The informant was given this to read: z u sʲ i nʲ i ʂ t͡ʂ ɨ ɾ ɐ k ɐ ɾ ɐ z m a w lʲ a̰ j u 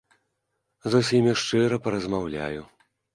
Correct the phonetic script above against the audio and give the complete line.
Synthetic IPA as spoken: z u sʲ i mʲ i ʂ t͡ʂ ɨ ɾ ɐ p ɐ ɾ ɐ z m a w lʲ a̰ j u

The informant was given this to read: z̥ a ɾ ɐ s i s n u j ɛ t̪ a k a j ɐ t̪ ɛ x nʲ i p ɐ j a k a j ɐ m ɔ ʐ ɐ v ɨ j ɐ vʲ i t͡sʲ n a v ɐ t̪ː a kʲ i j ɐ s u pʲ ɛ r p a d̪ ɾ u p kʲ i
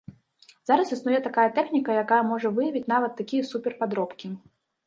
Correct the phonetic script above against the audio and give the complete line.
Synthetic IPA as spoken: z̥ a ɾ ɐ s i s n u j ɛ t̪ a k a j ɐ t̪ ɛ x nʲ i k ɐ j a k a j ɐ m ɔ ʐ ɐ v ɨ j ɐ vʲ i t͡sʲ n a v ɐ t̪ː a kʲ i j ɐ s u pʲ ɛ r p a d̪ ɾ ɔ p kʲ i

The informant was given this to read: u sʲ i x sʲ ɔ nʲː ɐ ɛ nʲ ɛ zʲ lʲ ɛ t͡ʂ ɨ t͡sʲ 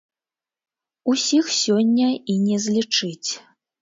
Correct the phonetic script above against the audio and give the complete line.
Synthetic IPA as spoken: u sʲ i x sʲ ɔ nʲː ɐ i nʲ ɛ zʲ lʲ i t͡ʂ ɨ t͡sʲ

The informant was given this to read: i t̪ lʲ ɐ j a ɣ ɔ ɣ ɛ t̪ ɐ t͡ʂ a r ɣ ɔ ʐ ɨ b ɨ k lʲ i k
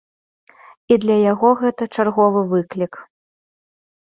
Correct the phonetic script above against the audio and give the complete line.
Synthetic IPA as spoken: i d̪ lʲ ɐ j a ɣ ɔ ɣ ɛ t̪ ɐ t͡ʂ a r ɣ ɔ v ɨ v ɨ k lʲ i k

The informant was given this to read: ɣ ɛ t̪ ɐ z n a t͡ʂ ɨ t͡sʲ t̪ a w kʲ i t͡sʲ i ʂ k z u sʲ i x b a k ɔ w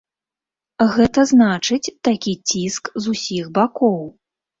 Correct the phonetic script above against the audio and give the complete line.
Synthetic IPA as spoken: ɣ ɛ t̪ ɐ z n a t͡ʂ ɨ t͡sʲ t̪ a kʲ i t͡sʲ i s k z u sʲ i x b a k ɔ w

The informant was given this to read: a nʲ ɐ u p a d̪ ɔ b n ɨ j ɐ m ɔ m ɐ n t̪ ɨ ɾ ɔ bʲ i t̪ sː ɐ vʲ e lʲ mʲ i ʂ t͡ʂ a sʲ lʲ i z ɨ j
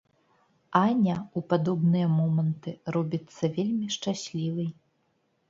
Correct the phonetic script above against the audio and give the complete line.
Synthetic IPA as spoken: a nʲ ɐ u p a d̪ ɔ b n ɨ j ɐ m ɔ m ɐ n t̪ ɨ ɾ ɔ bʲ i t̪ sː ɐ vʲ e lʲ mʲ i ʂ t͡ʂ a sʲ lʲ i v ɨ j

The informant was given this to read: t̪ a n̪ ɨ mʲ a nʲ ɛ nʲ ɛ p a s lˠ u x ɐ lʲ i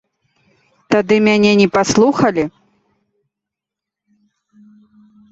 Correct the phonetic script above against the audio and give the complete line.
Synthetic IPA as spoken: t̪ a d̪ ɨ mʲ a nʲ ɛ nʲ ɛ p a s lˠ u x ɐ lʲ i

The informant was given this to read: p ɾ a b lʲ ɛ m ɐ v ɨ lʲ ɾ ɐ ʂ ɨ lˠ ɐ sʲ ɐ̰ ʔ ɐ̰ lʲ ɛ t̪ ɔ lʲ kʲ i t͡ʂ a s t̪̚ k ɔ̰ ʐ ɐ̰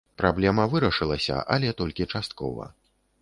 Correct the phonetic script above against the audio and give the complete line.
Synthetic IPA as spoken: p ɾ a b lʲ ɛ m ɐ v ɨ ɾ ɐ ʂ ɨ lˠ ɐ sʲ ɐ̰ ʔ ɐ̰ lʲ ɛ t̪ ɔ lʲ kʲ i t͡ʂ a s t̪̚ k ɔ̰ v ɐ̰

